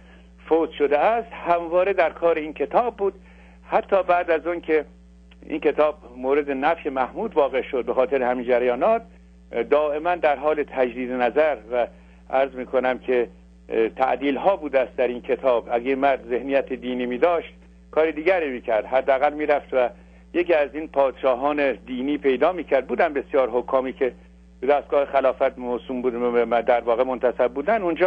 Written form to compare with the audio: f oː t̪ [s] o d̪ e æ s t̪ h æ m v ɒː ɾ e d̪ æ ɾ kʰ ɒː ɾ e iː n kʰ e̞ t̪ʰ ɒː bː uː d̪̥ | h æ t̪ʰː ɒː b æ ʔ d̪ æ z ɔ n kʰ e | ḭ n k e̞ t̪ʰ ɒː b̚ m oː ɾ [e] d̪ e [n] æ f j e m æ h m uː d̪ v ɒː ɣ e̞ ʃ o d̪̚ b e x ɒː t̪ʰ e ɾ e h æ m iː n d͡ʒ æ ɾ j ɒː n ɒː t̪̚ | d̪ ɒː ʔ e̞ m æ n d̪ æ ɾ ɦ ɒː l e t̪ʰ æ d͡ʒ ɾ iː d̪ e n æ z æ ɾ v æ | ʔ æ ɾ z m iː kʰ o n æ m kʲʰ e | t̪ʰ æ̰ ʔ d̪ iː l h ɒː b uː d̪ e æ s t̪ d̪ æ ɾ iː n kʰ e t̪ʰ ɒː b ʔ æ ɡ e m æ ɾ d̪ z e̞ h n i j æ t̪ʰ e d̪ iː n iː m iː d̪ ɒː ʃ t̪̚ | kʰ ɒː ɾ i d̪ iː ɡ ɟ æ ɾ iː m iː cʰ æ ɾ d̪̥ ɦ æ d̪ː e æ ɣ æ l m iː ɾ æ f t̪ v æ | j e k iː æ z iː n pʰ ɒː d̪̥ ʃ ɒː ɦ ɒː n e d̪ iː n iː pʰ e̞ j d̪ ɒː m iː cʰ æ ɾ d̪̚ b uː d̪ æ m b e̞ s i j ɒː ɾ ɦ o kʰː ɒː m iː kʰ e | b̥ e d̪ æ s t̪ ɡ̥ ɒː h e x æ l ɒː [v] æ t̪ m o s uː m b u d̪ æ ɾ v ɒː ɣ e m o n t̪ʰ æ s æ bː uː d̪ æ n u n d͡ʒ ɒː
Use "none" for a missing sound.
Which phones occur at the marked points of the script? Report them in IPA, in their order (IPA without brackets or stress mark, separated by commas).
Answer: ʃ, e, n, f